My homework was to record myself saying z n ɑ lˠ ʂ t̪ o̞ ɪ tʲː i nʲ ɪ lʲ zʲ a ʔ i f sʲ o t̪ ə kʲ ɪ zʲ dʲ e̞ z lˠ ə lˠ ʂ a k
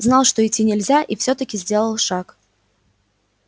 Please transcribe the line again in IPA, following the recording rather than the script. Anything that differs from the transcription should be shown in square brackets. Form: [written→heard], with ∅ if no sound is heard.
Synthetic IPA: z n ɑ lˠ ʂ t̪ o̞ ɪ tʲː i nʲ ɪ lʲ zʲ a ʔ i f sʲ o t̪ ə kʲ ɪ zʲ dʲ e̞ [z→∅] lˠ ə lˠ ʂ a k